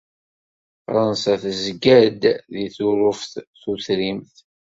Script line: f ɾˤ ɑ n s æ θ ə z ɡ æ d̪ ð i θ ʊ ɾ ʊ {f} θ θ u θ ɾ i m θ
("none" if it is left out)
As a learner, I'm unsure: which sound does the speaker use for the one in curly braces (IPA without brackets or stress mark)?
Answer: f